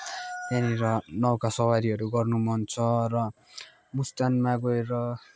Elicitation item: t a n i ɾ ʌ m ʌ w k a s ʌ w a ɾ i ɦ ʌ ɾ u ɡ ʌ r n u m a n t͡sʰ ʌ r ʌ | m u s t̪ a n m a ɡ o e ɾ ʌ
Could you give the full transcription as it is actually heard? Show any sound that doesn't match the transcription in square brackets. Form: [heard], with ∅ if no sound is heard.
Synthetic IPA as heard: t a n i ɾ ʌ [n] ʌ w k a s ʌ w a ɾ i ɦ ʌ ɾ u ɡ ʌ r n u m [ʌ] n t͡sʰ ʌ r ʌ | m u s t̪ a n m a ɡ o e ɾ ʌ